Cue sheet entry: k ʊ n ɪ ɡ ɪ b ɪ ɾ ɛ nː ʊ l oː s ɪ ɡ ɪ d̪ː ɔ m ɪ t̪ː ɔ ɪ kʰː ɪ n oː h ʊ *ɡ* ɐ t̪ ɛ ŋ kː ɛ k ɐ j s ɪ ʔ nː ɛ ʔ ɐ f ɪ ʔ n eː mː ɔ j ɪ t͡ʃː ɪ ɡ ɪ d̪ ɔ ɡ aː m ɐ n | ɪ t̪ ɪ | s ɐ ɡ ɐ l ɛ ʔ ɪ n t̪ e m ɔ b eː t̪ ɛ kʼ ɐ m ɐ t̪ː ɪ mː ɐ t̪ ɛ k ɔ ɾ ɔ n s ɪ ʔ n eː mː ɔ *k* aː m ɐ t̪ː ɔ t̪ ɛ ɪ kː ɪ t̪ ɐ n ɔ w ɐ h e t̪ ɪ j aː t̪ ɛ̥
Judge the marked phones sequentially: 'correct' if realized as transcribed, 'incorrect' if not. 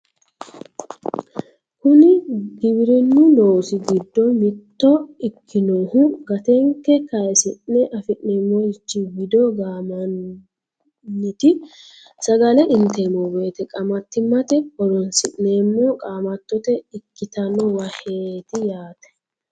correct, incorrect

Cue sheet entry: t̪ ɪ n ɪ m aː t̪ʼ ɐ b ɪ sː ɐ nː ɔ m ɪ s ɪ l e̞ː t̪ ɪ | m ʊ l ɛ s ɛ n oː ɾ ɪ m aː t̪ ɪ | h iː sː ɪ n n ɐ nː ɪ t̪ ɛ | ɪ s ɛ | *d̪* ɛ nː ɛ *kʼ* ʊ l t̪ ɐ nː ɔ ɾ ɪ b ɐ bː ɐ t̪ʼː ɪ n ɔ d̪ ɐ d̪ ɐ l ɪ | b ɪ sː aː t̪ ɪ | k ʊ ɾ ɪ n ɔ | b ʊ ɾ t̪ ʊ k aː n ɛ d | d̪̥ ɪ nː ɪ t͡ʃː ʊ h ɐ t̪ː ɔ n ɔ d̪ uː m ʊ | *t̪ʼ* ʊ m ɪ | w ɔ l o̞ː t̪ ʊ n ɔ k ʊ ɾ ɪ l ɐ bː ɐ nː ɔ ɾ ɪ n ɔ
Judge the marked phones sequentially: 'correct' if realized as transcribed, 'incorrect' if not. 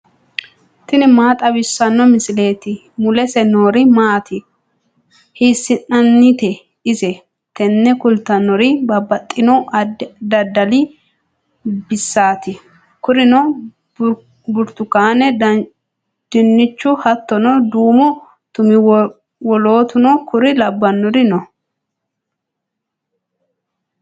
incorrect, incorrect, incorrect

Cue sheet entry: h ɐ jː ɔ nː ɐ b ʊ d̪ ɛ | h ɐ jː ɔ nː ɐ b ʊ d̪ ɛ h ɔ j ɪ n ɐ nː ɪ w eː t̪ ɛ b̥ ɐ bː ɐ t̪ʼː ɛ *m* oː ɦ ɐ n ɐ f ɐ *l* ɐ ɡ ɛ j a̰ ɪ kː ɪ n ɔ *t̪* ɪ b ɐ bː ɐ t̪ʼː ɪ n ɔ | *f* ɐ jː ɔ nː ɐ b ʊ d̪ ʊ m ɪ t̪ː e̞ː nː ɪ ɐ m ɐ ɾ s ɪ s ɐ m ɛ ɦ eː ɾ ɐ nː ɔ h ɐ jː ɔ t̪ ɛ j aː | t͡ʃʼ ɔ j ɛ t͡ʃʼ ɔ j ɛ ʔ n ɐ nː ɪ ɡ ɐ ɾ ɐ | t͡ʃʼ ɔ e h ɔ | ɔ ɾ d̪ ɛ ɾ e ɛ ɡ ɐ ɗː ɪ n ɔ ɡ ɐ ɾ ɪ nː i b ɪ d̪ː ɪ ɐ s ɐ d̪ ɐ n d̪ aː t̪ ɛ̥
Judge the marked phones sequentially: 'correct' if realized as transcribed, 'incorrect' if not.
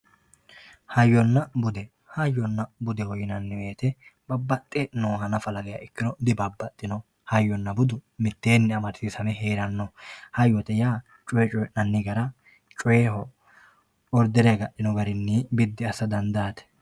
incorrect, correct, incorrect, incorrect

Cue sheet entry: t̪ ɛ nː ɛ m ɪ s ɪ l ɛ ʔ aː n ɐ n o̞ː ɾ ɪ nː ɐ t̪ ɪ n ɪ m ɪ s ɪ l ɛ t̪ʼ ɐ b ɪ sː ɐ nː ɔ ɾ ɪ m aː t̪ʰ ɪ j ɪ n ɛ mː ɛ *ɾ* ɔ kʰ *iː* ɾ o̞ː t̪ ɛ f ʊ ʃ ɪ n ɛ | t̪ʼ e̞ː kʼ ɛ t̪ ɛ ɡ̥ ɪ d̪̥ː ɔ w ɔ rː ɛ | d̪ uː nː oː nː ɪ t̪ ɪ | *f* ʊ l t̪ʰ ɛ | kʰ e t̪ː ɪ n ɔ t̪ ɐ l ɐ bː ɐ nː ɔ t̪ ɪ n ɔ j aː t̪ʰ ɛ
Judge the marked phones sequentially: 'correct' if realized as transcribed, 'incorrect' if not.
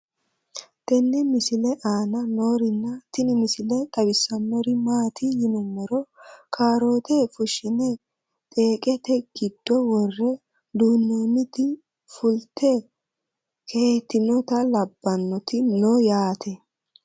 correct, incorrect, correct

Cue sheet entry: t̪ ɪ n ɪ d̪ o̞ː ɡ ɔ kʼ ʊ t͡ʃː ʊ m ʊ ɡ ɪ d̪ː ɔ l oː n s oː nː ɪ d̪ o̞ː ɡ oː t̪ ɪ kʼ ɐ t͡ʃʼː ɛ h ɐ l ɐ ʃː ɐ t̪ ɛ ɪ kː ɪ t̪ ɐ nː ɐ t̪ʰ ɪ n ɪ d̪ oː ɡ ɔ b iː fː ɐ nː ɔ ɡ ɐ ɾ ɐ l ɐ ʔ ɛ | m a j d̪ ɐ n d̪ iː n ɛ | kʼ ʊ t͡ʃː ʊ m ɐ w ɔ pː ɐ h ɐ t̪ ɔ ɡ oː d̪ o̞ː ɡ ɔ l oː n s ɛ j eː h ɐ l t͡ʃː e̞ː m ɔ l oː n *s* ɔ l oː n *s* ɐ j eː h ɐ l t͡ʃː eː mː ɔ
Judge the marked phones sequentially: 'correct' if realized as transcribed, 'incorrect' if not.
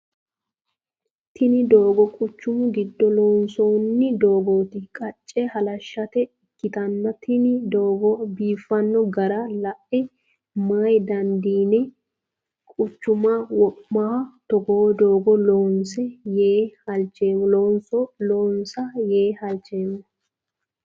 correct, correct

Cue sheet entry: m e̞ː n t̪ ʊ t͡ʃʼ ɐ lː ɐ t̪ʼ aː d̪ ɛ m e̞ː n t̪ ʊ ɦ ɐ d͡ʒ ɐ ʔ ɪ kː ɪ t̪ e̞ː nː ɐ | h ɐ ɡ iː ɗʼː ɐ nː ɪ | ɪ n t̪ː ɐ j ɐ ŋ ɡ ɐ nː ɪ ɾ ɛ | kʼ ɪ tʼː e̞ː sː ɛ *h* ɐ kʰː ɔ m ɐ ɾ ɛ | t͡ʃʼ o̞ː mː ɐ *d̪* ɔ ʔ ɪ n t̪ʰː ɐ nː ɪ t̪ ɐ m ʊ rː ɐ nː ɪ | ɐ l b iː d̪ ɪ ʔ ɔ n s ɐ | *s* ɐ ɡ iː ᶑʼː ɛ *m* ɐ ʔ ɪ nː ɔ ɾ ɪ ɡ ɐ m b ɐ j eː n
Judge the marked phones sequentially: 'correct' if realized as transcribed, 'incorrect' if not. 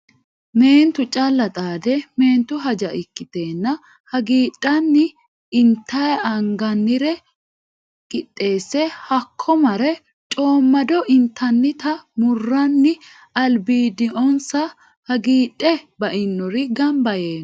correct, correct, incorrect, incorrect

